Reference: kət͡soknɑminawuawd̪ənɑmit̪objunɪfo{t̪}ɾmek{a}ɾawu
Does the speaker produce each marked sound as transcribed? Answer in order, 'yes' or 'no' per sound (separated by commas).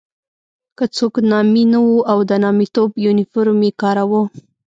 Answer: no, no